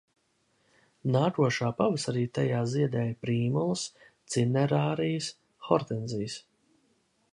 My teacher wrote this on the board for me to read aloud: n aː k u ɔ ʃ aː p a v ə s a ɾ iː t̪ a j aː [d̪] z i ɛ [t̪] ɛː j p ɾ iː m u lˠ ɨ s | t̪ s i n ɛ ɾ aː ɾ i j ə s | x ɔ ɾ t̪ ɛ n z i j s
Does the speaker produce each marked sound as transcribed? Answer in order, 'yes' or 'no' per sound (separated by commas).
no, no